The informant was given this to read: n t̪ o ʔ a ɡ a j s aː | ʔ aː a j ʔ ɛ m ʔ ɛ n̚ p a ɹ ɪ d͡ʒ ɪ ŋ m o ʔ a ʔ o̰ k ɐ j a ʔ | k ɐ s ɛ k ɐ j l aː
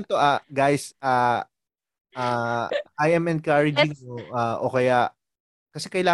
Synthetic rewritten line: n t̪ o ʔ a ɡ a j s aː | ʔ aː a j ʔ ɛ m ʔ ɛ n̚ k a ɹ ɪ d͡ʒ ɪ ŋ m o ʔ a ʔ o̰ k ɐ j a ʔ | k ɐ s ɛ k ɐ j l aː